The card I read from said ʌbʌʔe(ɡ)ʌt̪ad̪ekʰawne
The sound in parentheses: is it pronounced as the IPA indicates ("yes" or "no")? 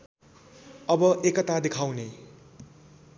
no